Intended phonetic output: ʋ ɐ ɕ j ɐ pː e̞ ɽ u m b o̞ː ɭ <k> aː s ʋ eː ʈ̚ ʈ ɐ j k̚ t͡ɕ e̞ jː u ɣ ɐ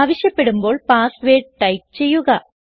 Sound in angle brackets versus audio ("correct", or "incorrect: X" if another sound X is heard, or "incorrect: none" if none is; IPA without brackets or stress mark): incorrect: p